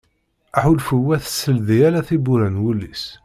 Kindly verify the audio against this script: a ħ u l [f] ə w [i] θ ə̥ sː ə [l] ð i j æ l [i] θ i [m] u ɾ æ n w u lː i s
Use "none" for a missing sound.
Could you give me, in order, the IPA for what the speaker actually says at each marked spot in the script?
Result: f, æ, l, æ, b

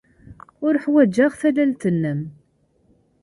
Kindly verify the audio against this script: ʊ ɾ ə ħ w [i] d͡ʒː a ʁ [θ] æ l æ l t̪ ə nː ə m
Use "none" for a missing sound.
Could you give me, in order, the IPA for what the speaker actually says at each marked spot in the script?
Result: æ, θ

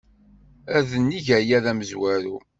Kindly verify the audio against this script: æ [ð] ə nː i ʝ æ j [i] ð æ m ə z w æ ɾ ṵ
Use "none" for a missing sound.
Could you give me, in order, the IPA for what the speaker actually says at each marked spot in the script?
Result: ð, æ

